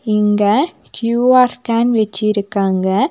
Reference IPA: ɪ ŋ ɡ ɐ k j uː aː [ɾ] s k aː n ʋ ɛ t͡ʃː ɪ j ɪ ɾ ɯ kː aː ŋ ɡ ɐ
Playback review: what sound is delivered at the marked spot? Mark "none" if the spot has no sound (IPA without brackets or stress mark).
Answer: ɾ